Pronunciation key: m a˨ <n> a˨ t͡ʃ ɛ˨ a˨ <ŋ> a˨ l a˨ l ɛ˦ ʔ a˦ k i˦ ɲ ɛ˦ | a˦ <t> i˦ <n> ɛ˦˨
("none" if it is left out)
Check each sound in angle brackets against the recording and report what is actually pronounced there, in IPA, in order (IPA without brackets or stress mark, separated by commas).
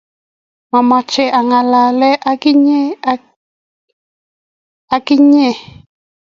m, ŋ, k, ɲ